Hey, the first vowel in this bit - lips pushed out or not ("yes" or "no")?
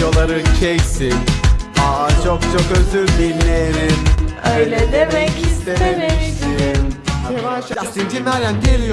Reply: yes